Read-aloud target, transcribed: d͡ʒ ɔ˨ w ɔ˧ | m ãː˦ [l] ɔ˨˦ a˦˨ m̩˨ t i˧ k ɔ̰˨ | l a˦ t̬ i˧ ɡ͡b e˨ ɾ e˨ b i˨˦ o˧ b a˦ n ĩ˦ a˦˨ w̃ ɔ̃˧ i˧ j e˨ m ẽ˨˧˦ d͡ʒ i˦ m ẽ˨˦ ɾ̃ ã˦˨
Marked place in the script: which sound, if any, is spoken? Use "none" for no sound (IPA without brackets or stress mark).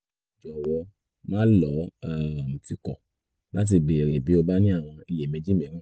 l